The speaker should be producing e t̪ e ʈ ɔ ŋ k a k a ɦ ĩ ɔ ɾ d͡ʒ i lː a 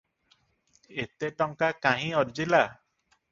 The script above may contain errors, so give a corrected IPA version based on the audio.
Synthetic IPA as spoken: e t̪ e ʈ ɔ ŋ k a k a ɦ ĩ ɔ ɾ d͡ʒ i l a